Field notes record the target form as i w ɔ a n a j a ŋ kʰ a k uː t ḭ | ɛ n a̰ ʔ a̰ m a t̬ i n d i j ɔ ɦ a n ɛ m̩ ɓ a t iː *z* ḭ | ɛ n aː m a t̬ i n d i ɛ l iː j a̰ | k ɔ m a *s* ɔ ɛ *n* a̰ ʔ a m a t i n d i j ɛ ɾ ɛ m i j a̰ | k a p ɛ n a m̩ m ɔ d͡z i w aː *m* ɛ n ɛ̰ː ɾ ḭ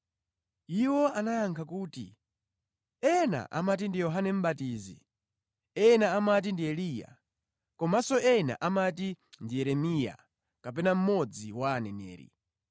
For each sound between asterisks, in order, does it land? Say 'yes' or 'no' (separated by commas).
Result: yes, yes, yes, no